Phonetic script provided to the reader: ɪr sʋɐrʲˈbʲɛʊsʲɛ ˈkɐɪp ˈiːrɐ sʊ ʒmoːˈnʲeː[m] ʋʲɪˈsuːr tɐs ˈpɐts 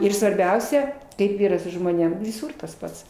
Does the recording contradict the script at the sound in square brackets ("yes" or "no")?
no